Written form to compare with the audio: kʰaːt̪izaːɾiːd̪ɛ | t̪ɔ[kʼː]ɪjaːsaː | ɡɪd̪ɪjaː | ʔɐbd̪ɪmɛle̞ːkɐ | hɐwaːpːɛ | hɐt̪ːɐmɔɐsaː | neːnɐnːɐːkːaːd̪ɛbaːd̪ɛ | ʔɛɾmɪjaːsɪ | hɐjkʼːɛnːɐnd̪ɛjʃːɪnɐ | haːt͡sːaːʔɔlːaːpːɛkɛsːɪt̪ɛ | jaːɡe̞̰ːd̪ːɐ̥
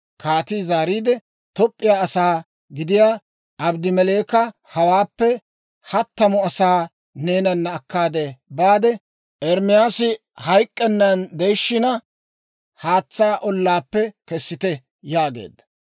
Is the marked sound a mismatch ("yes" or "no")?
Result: yes